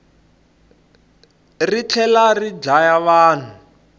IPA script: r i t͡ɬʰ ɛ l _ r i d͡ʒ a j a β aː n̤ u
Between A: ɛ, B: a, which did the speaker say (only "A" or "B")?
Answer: B